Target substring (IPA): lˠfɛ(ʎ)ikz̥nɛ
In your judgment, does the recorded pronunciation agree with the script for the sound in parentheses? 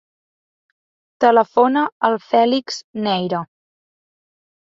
no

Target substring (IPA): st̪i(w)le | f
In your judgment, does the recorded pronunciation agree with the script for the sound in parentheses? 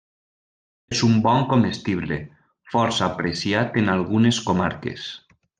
no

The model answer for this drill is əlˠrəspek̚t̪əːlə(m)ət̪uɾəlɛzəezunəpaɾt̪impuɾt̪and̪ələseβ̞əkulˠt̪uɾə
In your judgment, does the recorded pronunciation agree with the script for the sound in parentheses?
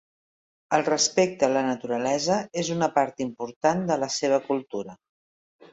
no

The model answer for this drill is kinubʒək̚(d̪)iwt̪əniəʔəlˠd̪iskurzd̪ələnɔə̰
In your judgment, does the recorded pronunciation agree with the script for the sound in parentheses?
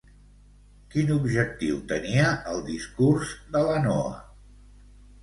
no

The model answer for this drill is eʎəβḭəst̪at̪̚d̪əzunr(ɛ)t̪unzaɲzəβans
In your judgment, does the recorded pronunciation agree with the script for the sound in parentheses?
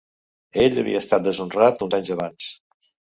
no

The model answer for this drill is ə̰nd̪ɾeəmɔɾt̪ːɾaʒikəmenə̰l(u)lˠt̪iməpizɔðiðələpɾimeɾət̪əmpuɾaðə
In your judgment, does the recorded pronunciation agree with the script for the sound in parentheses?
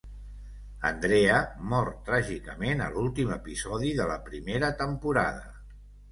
yes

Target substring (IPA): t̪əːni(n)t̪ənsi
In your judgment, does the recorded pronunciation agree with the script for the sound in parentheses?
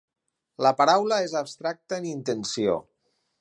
yes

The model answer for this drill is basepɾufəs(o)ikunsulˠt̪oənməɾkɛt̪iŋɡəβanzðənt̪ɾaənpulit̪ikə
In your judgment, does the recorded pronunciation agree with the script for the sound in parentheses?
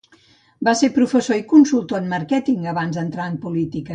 yes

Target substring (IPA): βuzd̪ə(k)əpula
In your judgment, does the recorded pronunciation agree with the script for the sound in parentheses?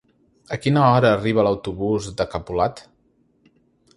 yes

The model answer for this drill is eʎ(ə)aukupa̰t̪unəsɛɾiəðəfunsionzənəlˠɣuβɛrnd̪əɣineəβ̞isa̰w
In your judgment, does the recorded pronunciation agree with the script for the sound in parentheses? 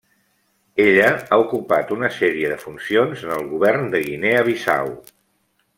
yes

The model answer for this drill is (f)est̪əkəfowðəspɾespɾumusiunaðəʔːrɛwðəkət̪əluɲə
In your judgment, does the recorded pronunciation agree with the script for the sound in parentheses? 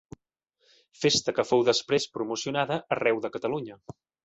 yes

